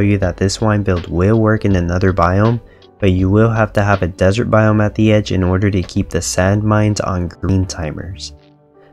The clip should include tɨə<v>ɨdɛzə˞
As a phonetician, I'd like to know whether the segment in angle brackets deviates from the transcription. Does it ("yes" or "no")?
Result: no